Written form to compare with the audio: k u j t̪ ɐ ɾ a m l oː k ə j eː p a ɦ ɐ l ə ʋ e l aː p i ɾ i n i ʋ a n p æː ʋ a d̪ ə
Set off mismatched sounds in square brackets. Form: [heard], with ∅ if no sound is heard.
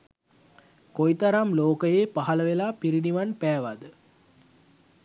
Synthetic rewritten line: k [o] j t̪ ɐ ɾ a m l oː k ə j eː p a ɦ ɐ l ə ʋ e l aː p i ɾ i n i ʋ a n p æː ʋ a d̪ ə